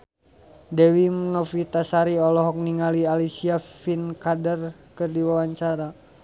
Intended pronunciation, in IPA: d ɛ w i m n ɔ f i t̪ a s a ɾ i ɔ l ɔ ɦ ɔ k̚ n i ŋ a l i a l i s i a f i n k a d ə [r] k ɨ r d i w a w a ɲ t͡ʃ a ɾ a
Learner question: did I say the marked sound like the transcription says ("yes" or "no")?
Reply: yes